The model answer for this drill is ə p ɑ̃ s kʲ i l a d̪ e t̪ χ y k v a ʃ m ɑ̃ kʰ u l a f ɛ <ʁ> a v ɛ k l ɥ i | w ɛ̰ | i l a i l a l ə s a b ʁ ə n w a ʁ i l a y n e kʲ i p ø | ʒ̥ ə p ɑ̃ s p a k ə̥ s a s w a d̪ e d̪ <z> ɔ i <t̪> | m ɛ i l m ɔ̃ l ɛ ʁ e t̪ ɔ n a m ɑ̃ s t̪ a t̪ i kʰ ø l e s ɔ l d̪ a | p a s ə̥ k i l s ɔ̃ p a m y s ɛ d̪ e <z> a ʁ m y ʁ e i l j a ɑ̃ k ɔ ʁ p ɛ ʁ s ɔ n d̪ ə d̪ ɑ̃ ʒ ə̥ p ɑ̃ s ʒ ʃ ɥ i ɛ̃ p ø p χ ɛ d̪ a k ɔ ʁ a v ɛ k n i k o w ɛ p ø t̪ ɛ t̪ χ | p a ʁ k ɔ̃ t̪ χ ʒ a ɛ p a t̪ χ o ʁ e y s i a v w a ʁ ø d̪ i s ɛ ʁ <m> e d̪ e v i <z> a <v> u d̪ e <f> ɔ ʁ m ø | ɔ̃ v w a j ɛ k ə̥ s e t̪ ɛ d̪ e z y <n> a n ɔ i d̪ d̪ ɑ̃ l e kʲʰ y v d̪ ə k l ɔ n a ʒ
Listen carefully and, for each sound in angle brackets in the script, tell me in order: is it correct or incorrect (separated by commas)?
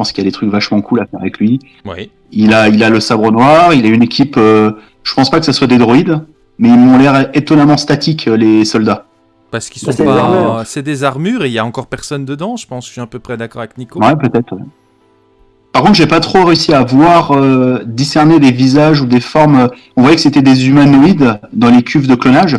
correct, incorrect, incorrect, correct, incorrect, correct, incorrect, correct, incorrect